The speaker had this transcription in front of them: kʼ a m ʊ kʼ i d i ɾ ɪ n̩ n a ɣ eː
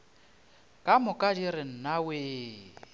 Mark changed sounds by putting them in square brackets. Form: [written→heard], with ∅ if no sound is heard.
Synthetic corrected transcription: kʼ a m ʊ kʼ [i→a] d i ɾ ɪ n̩ n a [ɣ→w] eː